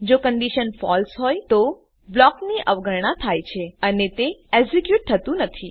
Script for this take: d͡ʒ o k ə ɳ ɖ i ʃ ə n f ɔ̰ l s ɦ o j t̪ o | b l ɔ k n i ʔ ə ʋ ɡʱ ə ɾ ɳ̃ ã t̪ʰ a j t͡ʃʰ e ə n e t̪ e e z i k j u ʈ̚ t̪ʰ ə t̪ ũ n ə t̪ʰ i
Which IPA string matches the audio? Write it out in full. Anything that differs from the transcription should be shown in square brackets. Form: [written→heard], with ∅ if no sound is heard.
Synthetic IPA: d͡ʒ o k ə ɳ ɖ i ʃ ə n f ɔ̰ l s ɦ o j t̪ o | b l ɔ k n i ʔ ə ʋ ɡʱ ə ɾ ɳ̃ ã t̪ʰ a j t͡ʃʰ e ə n e t̪ e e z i k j u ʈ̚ t̪ʰ ə t̪ ũ n ə t̪ʰ i